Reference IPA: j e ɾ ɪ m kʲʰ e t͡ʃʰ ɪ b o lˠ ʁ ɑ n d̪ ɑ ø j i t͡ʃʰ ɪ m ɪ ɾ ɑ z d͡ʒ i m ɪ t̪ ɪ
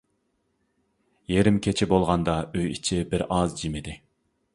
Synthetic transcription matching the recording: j e ɾ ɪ m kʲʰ e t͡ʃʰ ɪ b o lˠ ʁ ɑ n d̪ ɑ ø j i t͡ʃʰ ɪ b ɪ ɾ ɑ z d͡ʒ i m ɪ d̪ ɪ